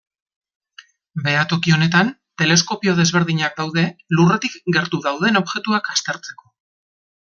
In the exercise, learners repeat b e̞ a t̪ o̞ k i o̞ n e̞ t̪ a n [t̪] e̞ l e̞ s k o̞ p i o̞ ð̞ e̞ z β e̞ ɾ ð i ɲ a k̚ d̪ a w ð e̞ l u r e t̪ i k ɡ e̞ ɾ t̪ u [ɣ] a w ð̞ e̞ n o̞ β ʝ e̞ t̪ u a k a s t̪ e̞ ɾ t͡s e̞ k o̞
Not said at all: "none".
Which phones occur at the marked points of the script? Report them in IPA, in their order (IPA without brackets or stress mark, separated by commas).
t̪, ð